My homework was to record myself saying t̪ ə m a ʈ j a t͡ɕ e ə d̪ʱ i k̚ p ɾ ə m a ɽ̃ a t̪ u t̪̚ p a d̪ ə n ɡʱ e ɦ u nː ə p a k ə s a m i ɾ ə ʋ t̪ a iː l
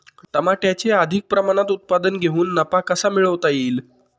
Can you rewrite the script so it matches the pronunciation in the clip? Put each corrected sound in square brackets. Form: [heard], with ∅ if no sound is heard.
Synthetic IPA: t̪ ə m a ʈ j a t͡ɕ e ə d̪ʱ i k̚ p ɾ ə m a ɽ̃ a t̪ u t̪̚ p a d̪ ə n ɡʱ e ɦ [uː] nː ə p a k ə s a m i [ɭ] ə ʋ t̪ a iː l